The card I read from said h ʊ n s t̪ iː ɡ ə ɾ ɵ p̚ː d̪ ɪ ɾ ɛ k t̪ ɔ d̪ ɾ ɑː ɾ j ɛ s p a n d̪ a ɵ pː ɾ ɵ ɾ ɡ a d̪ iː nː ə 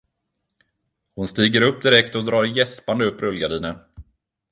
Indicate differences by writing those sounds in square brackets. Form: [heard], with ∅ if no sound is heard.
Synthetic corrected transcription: h ʊ n s t̪ iː ɡ ə ɾ ɵ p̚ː d̪ ɪ ɾ ɛ k t̪ ɔ d̪ ɾ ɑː ɾ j ɛ s p a n d̪ [ə] ɵ pː ɾ ɵ [l] ɡ a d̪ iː [n] ə